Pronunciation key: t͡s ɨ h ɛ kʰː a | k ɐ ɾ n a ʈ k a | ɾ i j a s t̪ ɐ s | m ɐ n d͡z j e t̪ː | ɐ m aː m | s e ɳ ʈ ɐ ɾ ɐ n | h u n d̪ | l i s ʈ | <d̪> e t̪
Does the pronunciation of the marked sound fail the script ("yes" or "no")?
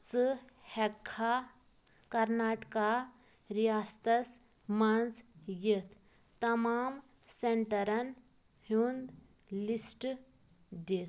no